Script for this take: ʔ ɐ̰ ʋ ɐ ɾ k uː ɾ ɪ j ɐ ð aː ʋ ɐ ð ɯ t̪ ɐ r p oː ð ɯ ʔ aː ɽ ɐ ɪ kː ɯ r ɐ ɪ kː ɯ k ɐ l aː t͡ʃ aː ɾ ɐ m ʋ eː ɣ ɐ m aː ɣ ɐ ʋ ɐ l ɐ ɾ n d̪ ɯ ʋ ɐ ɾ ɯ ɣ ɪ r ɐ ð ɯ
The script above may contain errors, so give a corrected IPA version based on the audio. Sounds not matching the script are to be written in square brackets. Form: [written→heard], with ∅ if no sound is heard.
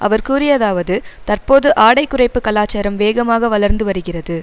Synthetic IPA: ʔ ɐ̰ ʋ ɐ ɾ k uː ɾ ɪ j ɐ ð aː ʋ ɐ ð ɯ t̪ ɐ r p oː ð ɯ ʔ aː ɽ ɐ ɪ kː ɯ r ɐ ɪ [kː→pː] ɯ k ɐ l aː t͡ʃ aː ɾ ɐ m ʋ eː ɣ ɐ m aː ɣ ɐ ʋ ɐ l ɐ ɾ n d̪ ɯ ʋ ɐ ɾ ɯ ɣ ɪ r ɐ ð ɯ